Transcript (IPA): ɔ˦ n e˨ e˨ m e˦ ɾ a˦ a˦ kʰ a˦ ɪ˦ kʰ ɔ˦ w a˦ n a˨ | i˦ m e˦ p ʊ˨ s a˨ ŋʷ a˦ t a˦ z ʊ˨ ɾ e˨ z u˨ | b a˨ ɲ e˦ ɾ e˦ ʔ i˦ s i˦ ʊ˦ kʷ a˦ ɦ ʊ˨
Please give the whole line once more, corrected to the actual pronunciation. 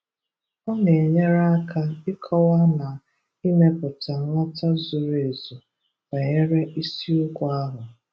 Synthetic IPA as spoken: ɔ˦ n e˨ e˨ ɲ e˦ ɾ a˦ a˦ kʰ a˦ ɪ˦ kʰ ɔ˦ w a˦ n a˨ | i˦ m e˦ p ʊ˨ t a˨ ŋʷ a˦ t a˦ z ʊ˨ ɾ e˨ z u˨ | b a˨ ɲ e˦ ɾ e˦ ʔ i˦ s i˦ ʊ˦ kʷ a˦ ɦ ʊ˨